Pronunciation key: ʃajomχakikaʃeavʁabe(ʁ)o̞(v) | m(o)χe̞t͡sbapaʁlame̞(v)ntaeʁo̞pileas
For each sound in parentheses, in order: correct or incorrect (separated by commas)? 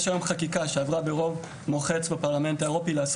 correct, correct, correct, incorrect